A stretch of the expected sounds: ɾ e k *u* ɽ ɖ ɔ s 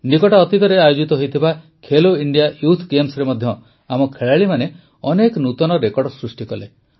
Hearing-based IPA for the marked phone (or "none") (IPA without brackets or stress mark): ɔ